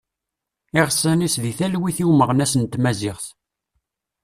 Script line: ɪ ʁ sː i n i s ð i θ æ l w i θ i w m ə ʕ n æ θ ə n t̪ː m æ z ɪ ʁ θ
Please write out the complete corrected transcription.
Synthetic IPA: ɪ ʁ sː æ n i s ð i θ æ l w i θ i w m ə ʁ n æ s ə n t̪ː m æ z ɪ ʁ θ